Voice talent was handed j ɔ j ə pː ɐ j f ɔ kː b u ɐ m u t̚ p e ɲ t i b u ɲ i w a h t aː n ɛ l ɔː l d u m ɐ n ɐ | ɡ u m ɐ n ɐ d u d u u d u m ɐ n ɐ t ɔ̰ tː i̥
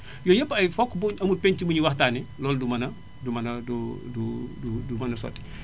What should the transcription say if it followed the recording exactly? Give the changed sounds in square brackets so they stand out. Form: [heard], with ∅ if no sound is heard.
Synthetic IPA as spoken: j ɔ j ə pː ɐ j f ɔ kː b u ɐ m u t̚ p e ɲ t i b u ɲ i w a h t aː n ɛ l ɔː l d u m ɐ n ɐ | [d] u m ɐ n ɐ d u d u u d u m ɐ n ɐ [s] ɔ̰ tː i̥